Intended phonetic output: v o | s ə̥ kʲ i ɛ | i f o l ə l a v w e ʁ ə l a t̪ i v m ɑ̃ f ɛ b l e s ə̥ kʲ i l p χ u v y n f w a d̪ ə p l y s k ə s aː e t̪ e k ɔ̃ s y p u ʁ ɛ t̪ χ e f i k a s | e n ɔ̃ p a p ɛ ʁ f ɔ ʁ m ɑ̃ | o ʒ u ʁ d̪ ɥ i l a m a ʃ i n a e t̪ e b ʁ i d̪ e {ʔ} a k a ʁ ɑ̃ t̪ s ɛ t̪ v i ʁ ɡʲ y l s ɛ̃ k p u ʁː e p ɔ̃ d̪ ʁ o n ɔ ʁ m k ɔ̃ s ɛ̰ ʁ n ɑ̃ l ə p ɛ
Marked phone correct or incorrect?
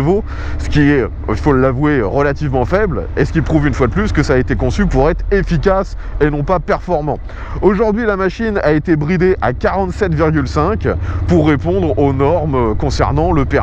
correct